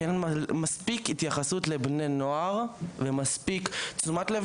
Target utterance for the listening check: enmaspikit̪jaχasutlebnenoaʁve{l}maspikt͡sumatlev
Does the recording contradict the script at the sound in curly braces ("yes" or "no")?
yes